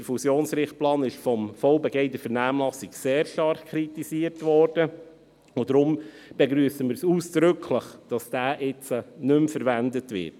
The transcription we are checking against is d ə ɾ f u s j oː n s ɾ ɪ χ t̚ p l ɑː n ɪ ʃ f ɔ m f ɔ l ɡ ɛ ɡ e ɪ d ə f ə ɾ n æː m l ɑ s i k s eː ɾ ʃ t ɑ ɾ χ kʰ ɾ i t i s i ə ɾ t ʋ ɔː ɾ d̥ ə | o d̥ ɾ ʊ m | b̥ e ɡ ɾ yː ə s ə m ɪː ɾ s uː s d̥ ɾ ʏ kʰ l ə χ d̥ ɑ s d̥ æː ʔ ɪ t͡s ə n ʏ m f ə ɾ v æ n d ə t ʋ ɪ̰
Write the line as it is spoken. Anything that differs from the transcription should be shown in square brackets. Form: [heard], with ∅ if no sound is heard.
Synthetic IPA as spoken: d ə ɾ f u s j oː n s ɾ ɪ χ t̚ p l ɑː n ɪ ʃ f ɔ m f ɔ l [b] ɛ ɡ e ɪ d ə f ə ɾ n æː m l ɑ s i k s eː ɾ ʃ t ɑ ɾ χ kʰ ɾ i t i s i ə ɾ t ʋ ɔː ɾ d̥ ə | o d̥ ɾ ʊ m | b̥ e ɡ ɾ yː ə s ə m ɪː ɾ s uː s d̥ ɾ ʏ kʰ l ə χ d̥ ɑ s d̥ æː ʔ ɪ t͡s ə n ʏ m f ə ɾ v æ n d ə t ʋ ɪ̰